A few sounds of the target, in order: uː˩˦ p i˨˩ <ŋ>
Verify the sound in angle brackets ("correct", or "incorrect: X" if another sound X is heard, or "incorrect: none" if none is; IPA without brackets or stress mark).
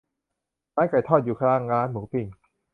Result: correct